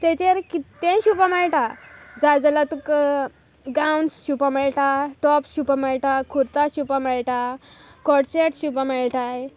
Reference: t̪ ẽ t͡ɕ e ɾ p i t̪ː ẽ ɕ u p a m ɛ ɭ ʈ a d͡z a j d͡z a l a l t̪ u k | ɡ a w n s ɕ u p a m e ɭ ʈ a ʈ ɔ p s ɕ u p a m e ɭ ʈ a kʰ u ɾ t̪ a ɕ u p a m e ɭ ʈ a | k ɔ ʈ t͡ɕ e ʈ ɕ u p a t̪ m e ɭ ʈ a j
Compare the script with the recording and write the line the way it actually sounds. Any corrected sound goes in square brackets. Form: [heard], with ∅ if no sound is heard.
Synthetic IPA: t̪ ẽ t͡ɕ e ɾ [k] i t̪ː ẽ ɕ u p a m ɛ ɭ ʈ a d͡z a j d͡z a l a [∅] t̪ u k | ɡ a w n s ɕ u p a m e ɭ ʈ a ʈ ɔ p s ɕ u p a m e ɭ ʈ a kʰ u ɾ t̪ a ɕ u p a m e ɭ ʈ a | k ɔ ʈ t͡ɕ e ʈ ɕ u p a [∅] m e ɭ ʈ a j